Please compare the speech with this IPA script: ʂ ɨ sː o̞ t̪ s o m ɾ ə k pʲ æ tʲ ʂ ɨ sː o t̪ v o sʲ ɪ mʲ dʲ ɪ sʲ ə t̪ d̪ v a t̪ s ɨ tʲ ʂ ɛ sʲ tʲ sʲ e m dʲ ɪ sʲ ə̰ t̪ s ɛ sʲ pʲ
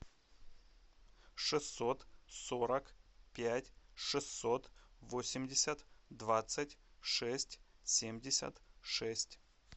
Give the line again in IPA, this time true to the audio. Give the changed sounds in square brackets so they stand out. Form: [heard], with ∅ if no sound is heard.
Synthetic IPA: ʂ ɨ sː o̞ t̪ s o [∅] ɾ ə k pʲ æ tʲ ʂ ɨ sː o t̪ v o sʲ ɪ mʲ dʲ ɪ sʲ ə t̪ d̪ v a t̪ s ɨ tʲ ʂ ɛ sʲ tʲ sʲ e m dʲ ɪ sʲ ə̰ t̪ [ʂ] ɛ sʲ [tʲ]